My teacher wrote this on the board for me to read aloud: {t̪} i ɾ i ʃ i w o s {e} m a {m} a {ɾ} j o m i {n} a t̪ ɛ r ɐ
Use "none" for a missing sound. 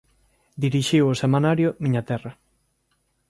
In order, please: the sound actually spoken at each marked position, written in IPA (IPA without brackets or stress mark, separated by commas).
d̪, e, n, ɾ, ɲ